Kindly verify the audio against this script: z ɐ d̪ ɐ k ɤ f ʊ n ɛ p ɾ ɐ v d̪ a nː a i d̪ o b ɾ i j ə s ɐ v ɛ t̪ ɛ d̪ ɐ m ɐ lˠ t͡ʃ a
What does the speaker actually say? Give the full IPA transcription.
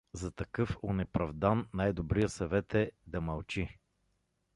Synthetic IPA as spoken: z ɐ t̪ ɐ k ɤ f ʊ n ɛ p ɾ ɐ v d̪ a nː a j d̪ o b ɾ i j ə s ɐ v ɛ t̪ ɛ d̪ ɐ m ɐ lˠ t͡ʃ i